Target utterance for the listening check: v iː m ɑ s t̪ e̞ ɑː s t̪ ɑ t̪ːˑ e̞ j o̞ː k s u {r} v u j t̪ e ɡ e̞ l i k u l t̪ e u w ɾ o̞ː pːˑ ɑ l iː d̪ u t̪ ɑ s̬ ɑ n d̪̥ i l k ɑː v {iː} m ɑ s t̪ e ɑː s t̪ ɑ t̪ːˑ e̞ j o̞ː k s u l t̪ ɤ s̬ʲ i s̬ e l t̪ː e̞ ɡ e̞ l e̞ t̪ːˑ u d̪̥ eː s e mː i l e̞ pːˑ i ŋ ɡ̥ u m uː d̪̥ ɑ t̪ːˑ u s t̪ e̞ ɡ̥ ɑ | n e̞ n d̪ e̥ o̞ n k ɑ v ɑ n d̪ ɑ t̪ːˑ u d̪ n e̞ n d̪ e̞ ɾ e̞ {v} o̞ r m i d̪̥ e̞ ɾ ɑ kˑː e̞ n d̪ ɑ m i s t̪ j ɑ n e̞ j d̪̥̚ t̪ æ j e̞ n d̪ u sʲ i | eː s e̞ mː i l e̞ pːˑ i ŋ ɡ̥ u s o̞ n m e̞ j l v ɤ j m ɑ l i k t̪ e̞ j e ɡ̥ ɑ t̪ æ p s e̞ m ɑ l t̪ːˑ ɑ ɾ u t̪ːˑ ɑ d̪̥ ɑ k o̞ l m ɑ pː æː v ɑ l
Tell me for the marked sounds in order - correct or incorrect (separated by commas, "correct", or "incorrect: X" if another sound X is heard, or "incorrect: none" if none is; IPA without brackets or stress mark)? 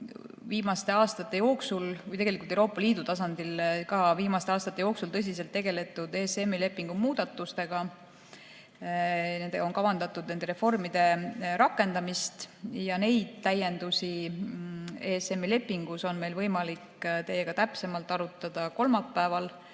incorrect: l, correct, incorrect: f